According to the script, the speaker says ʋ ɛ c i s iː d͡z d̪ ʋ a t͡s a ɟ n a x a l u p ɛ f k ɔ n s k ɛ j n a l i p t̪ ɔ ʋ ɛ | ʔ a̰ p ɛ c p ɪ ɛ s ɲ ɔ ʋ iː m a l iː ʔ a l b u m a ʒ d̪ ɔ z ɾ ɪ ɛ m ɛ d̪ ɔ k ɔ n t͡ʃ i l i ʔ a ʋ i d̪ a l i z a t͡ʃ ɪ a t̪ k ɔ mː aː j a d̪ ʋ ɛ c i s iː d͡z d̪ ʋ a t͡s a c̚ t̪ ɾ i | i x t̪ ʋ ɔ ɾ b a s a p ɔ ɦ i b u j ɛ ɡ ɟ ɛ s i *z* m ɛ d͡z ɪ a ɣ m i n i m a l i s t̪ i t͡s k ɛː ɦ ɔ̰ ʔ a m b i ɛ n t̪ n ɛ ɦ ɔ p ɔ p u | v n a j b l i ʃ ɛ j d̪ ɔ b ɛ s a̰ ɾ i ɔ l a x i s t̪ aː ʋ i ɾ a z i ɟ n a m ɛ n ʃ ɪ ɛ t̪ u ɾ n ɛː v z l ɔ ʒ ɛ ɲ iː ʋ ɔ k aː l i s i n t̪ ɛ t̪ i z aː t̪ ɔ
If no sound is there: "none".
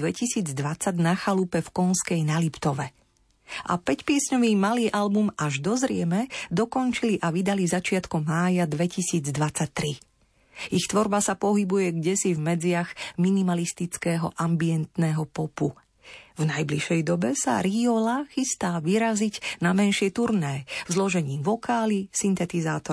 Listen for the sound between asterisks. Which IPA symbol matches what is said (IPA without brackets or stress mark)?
v